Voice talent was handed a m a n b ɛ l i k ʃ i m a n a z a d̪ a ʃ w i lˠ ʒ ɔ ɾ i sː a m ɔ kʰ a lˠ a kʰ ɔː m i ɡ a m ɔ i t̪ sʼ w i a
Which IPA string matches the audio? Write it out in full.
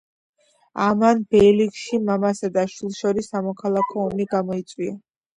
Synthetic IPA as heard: a m a n b ɛ l i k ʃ i m a m a s a d̪ a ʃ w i lˠ ʃ ɔ ɾ i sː a m ɔ kʰ a lˠ a kʰ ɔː m i ɡ a m ɔ i t̪ sʼ w i a